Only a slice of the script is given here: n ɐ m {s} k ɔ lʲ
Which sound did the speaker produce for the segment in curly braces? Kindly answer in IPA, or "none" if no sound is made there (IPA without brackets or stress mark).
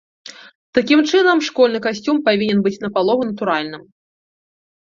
ʂ